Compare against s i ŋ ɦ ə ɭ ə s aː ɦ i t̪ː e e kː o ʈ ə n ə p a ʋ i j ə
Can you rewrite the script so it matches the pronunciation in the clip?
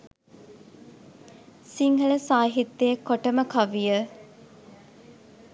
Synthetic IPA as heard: s i ŋ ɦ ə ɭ ə s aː ɦ i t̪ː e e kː o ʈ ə m ə k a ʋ i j ə